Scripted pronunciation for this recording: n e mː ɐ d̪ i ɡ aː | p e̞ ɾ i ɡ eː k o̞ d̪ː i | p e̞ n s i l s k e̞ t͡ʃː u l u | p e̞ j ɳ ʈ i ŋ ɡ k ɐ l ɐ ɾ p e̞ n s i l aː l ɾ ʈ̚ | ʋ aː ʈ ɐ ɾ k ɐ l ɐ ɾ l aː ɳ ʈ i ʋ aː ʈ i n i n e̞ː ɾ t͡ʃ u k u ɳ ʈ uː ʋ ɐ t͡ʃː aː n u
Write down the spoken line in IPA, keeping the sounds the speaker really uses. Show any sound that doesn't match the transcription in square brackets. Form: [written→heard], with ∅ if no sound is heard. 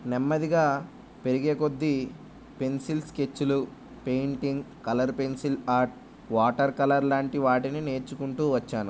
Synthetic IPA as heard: n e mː ɐ d̪ i ɡ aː | p e̞ ɾ i ɡ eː k o̞ d̪ː i | p e̞ n s i l s k e̞ t͡ʃː u l u | p e̞ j ɳ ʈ i ŋ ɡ k ɐ l ɐ ɾ p e̞ n s i l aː [l→∅] ɾ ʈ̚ | ʋ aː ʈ ɐ ɾ k ɐ l ɐ ɾ l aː ɳ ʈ i ʋ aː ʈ i n i n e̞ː ɾ t͡ʃ u k u ɳ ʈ uː ʋ ɐ t͡ʃː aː n u